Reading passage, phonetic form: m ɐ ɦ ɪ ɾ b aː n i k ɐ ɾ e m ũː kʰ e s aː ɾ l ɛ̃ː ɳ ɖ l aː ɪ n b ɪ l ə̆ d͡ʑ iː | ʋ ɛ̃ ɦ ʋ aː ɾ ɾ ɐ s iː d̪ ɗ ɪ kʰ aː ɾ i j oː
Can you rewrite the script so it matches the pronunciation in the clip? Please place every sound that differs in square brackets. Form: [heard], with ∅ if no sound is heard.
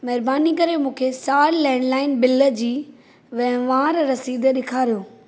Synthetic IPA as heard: m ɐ ɦ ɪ ɾ b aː n i k ɐ ɾ e m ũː kʰ e s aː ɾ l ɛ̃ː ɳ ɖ l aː ɪ n b ɪ l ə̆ d͡ʑ iː | ʋ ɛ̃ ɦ ʋ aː ɾ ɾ ɐ s iː d̪ ɗ ɪ kʰ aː ɾ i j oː